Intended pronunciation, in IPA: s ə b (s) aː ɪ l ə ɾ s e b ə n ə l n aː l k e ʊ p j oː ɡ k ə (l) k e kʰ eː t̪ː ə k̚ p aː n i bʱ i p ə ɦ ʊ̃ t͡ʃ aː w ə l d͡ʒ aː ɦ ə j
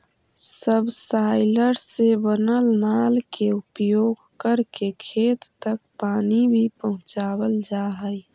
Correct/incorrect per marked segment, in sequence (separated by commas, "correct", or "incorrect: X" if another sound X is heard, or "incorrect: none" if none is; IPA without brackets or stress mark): correct, incorrect: ɾ